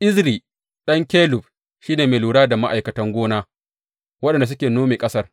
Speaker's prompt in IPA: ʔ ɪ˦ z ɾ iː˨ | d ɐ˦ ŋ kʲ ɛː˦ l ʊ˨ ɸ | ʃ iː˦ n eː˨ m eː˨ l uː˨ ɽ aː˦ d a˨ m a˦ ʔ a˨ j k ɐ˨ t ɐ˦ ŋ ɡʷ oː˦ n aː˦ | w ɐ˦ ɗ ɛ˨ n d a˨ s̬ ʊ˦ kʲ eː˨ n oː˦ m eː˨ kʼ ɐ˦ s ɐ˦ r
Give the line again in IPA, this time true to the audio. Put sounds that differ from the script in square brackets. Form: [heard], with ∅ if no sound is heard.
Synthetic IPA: ʔ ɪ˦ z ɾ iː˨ | [ɗ] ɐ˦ ŋ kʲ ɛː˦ l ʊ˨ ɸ | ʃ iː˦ n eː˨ m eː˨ l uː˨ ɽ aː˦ d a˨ m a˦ ʔ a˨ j k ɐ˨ t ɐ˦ ŋ ɡʷ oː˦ n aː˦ | w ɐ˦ ɗ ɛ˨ n d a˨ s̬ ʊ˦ kʲ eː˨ n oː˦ m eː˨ kʼ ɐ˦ s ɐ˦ r